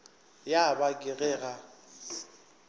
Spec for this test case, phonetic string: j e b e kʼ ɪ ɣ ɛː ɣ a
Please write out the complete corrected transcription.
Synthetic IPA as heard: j a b a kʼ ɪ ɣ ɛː ɣ a